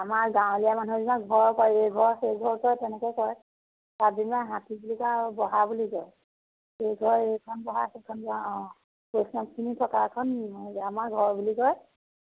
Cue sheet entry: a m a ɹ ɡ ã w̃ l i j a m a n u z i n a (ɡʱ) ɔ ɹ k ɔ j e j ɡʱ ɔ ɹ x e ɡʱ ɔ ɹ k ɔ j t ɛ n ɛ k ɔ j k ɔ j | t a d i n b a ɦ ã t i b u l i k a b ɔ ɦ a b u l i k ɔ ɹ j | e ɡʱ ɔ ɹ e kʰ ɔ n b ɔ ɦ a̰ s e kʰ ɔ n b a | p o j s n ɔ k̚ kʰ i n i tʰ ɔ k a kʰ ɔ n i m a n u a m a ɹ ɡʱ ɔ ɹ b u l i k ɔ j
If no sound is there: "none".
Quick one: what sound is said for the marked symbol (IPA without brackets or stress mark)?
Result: ɡʱ